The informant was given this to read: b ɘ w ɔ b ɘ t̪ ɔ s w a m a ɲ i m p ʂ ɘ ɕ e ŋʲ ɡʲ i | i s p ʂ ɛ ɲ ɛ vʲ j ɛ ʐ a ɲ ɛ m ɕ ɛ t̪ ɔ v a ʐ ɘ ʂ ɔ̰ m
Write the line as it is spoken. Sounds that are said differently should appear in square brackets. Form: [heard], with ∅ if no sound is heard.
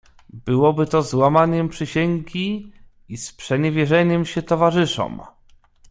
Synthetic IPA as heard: b ɘ w ɔ b ɘ t̪ ɔ [z] w a m a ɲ [ɛ] m p ʂ ɘ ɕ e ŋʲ ɡʲ i | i s p ʂ ɛ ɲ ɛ vʲ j ɛ ʐ [ɛ] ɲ ɛ m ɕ ɛ t̪ ɔ v a ʐ ɘ ʂ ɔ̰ m